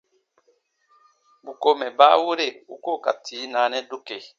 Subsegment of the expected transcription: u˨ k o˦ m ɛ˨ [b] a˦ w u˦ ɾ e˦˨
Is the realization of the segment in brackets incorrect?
no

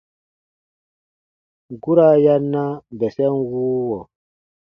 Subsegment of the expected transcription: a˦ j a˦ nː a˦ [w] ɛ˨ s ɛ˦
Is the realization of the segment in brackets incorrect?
yes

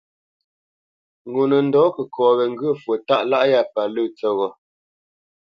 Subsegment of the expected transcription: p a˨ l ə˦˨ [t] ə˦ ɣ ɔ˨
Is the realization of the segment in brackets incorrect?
yes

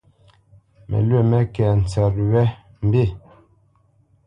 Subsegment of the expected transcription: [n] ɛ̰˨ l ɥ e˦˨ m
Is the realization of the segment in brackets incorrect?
yes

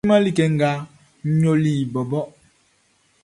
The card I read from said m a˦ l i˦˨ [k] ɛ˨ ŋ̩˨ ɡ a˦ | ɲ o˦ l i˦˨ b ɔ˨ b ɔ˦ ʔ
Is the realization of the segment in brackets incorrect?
no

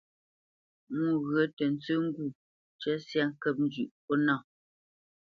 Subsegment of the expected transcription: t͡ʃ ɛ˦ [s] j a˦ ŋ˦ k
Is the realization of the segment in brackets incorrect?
no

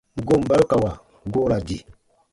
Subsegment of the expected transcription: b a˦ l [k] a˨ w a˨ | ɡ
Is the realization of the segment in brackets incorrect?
no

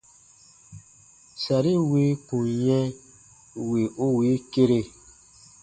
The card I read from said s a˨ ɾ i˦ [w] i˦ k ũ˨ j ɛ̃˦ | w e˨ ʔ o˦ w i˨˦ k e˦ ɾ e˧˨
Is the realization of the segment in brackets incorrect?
no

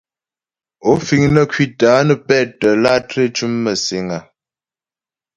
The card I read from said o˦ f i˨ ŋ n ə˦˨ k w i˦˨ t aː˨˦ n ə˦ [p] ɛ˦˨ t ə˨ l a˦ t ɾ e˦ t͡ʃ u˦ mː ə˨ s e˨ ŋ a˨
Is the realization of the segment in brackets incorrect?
no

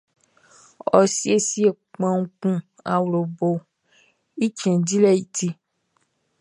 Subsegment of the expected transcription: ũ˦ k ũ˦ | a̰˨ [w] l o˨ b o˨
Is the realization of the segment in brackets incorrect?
no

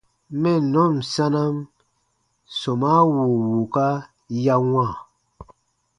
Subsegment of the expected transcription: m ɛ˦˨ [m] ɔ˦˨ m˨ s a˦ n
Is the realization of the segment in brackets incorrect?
yes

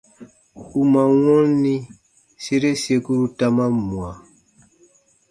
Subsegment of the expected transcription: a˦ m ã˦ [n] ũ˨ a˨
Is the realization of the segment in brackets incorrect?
yes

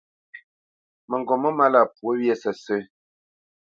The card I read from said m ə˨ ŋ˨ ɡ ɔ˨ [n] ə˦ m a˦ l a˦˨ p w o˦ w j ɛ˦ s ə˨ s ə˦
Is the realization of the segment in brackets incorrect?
yes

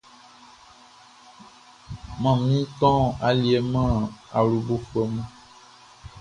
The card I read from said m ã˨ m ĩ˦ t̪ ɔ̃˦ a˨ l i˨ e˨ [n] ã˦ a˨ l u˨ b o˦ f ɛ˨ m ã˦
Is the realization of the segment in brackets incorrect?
yes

